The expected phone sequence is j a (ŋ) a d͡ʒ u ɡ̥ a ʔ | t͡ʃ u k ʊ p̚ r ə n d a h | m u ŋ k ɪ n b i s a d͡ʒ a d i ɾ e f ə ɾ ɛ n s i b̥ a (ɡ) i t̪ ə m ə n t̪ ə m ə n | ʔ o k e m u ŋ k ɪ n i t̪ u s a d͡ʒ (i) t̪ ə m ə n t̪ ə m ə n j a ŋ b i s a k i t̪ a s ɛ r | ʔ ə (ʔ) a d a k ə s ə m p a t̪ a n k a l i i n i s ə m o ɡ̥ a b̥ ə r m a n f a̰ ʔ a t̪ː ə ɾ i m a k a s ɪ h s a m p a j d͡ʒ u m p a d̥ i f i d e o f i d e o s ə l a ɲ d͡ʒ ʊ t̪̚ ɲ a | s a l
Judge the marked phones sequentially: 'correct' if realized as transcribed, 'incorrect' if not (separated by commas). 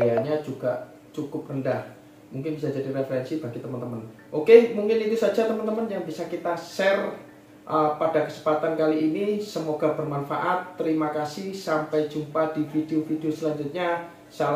incorrect, correct, incorrect, incorrect